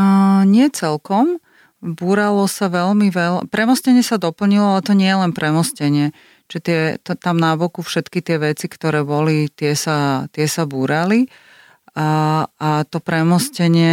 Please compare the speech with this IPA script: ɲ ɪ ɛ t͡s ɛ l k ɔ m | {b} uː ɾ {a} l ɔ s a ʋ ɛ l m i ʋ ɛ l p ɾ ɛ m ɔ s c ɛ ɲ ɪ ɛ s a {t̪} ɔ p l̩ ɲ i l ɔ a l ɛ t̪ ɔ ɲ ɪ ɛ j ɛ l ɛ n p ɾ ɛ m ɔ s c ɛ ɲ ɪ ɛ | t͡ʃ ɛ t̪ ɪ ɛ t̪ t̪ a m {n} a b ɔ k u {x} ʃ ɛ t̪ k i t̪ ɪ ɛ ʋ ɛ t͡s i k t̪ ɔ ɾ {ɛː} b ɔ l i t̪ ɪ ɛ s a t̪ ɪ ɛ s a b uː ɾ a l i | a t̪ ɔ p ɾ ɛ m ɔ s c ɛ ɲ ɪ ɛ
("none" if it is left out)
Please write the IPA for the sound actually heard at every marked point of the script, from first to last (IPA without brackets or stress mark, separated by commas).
b, a, d̪, n, f, ɛː